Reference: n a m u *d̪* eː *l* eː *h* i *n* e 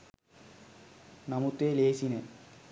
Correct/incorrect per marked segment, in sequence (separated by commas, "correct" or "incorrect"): incorrect, correct, incorrect, correct